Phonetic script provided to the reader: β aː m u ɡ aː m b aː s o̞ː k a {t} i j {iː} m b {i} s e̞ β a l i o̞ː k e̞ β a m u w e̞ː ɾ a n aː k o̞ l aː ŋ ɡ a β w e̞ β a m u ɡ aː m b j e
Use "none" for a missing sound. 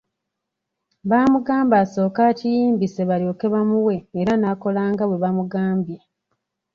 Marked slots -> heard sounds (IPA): c, iː, i

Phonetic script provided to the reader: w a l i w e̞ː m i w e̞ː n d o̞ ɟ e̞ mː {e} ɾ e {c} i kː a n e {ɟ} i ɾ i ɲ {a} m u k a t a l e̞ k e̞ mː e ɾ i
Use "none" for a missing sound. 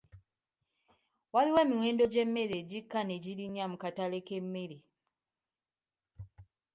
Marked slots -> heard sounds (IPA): e, ɟ, ɟ, a

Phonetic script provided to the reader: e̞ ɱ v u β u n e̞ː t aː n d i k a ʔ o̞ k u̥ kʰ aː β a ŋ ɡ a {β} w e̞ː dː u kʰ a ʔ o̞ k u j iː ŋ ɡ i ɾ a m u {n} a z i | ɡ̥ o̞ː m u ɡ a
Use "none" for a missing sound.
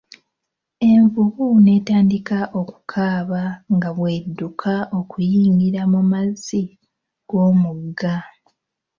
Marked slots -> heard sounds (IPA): β, m

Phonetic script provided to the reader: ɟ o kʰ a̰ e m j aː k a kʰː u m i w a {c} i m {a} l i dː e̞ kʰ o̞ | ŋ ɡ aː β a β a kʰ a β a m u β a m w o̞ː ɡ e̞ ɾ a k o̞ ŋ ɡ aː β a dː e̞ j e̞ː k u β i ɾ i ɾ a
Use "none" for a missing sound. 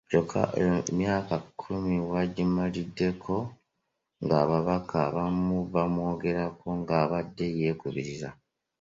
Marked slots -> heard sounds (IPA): ɟ, a

